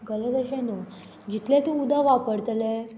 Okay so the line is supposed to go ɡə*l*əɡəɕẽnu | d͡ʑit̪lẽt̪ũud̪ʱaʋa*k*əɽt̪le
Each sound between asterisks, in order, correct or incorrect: correct, incorrect

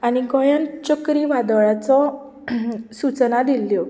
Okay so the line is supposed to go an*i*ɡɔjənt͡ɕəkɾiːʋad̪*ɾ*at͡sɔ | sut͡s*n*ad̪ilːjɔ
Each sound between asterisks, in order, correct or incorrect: correct, incorrect, correct

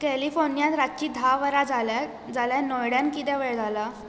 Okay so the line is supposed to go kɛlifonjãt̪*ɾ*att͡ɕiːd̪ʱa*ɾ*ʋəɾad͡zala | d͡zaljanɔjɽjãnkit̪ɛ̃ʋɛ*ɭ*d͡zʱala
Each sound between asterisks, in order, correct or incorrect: correct, incorrect, correct

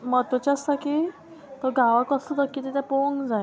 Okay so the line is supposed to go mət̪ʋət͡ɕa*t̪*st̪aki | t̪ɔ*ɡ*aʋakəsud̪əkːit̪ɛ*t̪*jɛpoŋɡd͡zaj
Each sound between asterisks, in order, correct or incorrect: incorrect, correct, correct

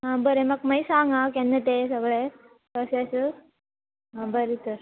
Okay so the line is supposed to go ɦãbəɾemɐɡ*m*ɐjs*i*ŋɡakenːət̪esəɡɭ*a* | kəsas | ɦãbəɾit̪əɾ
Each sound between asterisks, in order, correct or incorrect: correct, incorrect, incorrect

